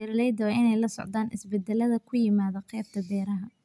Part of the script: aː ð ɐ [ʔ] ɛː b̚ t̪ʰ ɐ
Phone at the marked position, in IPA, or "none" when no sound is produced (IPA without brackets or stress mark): q